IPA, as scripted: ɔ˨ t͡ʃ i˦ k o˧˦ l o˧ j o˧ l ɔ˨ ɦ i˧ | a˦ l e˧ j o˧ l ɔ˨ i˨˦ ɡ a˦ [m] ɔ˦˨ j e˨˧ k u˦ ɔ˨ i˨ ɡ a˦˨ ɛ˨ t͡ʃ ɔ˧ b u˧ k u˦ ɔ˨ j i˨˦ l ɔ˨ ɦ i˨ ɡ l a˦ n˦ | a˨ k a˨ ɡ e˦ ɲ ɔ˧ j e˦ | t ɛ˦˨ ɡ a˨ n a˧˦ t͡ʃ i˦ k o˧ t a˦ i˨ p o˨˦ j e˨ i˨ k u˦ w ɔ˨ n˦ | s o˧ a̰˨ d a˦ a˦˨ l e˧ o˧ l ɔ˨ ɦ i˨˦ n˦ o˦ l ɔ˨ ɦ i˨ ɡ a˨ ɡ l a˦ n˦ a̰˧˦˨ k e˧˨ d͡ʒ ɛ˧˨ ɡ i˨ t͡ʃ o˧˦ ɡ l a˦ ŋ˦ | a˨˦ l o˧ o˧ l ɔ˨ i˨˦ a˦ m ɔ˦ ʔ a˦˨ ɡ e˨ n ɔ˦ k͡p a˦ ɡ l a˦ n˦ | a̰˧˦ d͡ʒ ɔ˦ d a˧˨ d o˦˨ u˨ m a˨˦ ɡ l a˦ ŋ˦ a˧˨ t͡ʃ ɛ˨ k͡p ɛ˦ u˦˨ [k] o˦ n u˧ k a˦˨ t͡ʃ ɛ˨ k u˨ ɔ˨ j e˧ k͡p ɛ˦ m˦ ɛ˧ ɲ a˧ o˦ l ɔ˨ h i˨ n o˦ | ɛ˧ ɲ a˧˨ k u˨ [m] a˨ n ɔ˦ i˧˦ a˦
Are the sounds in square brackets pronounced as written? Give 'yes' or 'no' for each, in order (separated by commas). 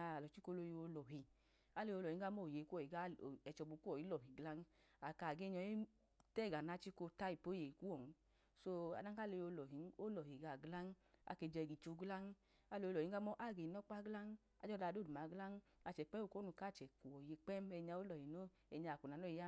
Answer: yes, yes, no